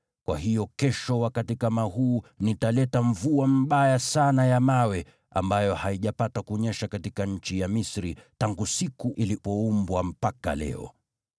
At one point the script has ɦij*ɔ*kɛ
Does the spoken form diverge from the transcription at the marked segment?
no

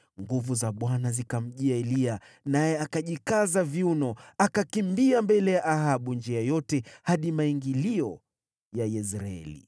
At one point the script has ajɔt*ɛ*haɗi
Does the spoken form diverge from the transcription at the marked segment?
no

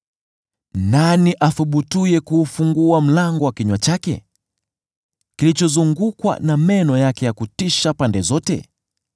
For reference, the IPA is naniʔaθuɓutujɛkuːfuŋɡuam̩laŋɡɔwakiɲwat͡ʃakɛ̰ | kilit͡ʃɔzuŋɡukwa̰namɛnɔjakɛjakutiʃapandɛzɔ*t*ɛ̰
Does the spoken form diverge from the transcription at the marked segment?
no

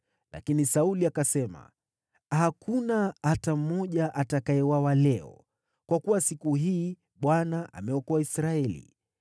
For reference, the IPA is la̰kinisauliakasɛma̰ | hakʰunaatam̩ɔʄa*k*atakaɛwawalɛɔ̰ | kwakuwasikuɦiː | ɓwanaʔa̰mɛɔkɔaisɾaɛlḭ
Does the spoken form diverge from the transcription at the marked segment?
yes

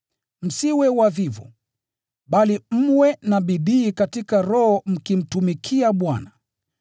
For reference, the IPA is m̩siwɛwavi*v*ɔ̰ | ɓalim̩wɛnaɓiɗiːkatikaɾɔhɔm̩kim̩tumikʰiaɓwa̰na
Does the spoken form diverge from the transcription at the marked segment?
no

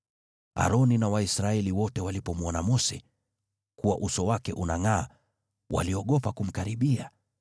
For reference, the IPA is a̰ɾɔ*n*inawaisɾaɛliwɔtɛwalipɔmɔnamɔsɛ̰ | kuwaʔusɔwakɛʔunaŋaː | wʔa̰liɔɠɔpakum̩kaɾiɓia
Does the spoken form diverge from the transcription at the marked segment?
no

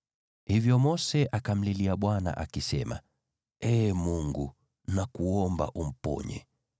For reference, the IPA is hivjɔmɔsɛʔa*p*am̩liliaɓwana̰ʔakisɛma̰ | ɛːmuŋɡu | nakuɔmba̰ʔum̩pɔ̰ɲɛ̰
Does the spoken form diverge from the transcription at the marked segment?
yes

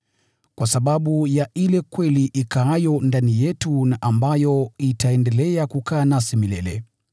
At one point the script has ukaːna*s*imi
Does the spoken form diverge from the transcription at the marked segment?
no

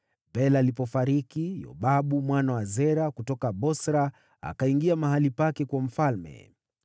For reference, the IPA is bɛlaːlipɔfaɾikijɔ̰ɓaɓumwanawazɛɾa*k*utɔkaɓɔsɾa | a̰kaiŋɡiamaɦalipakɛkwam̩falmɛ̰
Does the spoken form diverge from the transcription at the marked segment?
no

